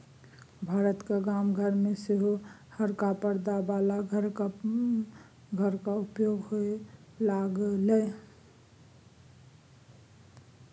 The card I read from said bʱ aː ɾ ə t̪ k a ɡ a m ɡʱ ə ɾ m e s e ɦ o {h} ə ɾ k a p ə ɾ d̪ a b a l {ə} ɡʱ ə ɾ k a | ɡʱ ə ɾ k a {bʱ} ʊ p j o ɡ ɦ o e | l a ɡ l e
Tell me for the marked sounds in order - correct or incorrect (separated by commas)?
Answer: correct, incorrect, incorrect